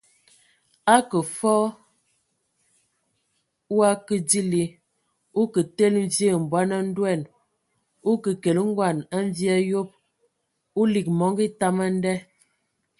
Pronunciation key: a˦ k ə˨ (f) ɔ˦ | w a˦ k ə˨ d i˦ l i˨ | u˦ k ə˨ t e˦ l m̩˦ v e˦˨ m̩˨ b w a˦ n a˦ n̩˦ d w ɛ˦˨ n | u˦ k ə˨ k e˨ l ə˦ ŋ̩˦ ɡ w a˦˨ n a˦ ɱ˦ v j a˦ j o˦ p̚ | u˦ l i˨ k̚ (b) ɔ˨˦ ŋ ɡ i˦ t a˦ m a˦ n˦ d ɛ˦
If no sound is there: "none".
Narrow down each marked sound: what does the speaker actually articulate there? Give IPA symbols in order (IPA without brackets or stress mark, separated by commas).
f, m